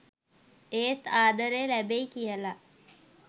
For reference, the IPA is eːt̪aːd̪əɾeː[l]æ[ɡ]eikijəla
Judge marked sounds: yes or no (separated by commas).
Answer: yes, no